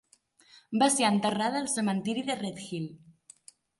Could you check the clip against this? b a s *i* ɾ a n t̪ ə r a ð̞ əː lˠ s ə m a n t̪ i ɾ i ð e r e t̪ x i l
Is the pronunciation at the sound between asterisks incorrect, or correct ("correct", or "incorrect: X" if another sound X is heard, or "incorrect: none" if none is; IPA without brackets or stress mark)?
incorrect: e